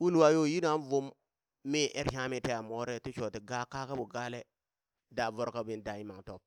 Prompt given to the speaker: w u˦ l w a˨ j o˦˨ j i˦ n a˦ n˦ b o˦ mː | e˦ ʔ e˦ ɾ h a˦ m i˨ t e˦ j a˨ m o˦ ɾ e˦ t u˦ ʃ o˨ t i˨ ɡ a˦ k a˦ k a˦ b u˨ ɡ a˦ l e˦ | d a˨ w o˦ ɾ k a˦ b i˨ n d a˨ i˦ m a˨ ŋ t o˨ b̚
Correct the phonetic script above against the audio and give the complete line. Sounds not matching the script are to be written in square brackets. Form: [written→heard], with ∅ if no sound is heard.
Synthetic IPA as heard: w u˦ l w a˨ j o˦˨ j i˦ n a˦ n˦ [b→v] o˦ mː | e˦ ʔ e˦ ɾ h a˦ m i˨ t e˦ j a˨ m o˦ ɾ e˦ t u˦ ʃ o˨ t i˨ ɡ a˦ k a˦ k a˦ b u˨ ɡ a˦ l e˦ | d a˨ [w→v] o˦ ɾ k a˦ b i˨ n d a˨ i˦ m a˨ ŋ t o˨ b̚